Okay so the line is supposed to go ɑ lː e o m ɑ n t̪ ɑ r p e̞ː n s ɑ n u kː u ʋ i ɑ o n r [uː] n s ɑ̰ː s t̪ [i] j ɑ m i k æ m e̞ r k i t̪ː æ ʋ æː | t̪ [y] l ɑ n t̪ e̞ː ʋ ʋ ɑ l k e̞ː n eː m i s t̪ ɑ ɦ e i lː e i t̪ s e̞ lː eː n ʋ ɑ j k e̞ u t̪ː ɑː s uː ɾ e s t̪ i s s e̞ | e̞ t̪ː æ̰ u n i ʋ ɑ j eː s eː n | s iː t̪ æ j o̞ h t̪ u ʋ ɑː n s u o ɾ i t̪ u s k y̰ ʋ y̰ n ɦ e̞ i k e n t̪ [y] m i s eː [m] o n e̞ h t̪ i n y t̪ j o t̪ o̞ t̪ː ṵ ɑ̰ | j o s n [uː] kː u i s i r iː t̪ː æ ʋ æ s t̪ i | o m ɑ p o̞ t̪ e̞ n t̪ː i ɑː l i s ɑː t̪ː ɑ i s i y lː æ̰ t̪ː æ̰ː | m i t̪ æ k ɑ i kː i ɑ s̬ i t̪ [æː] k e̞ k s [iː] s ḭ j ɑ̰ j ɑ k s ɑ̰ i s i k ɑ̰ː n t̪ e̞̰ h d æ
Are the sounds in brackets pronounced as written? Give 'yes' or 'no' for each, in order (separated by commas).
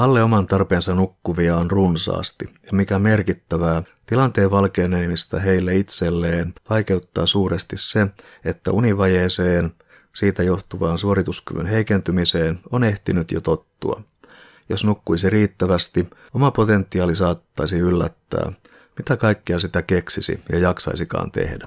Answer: no, yes, no, yes, no, no, no, no